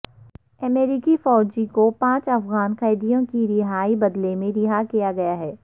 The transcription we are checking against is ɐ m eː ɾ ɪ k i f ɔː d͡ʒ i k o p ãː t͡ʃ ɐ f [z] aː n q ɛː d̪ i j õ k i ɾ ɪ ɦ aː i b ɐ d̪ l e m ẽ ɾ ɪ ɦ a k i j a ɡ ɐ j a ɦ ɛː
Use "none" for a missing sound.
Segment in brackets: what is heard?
ɣ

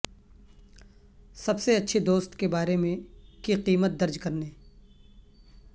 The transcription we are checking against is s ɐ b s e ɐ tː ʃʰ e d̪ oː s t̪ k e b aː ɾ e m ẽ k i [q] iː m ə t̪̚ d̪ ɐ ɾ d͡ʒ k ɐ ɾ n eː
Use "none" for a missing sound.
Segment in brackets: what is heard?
q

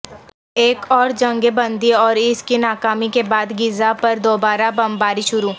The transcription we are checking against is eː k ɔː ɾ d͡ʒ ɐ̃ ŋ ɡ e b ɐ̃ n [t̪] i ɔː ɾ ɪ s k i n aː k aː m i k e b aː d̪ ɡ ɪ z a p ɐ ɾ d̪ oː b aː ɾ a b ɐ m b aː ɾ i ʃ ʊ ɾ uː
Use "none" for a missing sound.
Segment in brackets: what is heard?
d̪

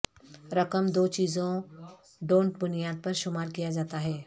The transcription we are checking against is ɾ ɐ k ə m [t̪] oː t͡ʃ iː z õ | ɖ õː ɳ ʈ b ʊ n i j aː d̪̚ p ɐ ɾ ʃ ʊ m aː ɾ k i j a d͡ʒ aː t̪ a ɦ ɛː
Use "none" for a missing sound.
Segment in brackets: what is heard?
d̪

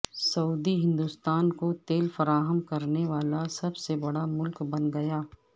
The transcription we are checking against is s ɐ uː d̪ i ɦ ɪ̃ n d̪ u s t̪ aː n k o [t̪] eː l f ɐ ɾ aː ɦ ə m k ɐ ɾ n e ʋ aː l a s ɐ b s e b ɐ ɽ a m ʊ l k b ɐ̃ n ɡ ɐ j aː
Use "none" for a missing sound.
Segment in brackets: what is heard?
t̪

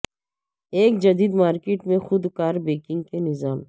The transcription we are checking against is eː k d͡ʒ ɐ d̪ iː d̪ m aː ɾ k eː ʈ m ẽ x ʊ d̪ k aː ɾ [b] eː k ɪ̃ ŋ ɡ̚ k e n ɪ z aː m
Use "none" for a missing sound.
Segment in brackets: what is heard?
b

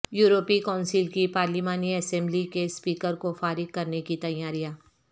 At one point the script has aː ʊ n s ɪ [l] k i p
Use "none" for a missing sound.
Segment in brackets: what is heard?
l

